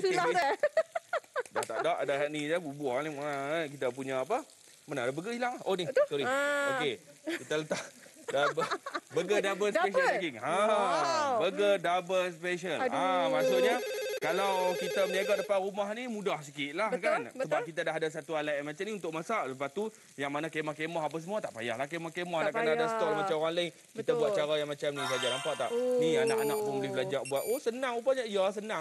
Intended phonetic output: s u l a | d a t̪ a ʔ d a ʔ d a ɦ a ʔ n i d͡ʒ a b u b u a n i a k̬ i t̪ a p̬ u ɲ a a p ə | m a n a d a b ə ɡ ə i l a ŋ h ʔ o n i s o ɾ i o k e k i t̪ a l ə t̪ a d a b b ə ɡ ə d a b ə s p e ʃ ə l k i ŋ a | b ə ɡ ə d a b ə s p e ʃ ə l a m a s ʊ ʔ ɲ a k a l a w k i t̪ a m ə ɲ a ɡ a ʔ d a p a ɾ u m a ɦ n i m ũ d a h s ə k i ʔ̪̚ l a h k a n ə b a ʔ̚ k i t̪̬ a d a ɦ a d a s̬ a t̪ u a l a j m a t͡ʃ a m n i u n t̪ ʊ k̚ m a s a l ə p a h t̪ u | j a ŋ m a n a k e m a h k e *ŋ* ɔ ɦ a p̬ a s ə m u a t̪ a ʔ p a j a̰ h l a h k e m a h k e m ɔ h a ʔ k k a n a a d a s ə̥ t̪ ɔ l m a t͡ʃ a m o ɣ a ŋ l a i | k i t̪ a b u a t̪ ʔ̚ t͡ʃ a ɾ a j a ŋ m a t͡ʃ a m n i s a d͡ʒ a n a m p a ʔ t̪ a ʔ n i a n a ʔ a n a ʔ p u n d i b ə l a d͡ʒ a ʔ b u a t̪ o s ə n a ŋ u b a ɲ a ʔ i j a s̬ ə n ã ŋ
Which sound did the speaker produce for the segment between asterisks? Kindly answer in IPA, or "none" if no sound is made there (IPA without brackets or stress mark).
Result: m